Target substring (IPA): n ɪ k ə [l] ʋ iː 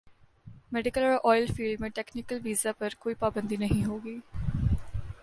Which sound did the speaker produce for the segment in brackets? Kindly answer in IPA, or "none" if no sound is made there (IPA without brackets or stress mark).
l